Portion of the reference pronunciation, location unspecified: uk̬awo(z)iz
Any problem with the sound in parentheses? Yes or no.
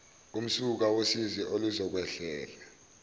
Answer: yes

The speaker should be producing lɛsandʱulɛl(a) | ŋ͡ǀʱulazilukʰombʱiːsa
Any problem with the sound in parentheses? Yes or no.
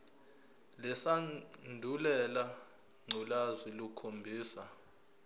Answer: no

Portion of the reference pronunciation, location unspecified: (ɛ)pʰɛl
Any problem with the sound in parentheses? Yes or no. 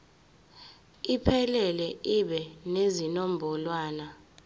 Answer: yes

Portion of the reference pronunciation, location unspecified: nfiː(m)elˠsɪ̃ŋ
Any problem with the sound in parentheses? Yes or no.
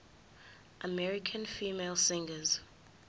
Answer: no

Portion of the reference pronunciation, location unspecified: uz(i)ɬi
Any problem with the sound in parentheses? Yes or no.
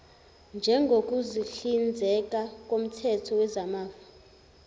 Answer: no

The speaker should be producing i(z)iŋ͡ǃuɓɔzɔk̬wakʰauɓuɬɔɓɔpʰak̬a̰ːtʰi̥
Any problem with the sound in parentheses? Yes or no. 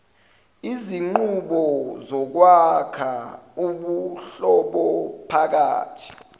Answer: no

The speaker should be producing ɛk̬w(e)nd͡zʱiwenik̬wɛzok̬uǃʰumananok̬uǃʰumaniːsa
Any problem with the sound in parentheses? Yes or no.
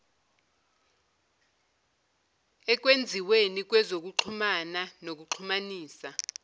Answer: no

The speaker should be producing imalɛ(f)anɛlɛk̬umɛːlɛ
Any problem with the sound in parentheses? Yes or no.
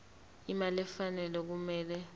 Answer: no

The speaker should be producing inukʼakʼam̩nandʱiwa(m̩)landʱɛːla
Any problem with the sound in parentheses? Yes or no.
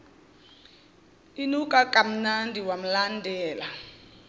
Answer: no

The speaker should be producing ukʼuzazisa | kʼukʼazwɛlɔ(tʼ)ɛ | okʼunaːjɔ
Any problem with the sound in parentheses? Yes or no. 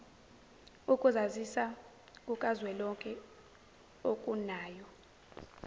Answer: yes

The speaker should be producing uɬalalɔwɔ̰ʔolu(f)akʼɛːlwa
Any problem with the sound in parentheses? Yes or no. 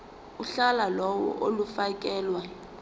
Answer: no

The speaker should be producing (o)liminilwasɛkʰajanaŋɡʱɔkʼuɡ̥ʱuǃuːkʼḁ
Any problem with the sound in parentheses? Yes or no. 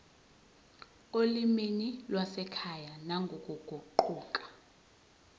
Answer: no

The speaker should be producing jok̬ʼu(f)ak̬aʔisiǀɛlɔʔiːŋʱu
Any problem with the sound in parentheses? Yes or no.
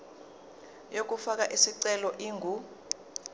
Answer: no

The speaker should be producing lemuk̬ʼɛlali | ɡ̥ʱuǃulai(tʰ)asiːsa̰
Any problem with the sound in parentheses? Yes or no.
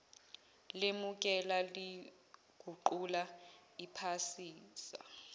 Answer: yes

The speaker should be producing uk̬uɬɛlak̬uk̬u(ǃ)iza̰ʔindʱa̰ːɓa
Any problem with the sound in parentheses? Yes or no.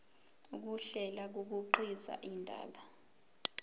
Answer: no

